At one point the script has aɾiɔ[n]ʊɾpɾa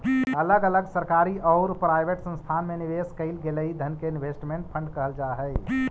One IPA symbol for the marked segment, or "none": none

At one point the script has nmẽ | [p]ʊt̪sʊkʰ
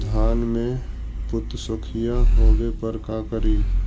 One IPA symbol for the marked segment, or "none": p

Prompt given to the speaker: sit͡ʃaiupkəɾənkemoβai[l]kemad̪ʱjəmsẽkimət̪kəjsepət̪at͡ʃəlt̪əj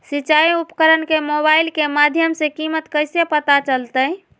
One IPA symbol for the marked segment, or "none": l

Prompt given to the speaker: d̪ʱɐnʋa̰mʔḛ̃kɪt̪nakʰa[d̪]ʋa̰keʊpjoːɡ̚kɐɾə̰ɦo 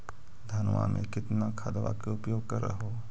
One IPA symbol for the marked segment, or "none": d̪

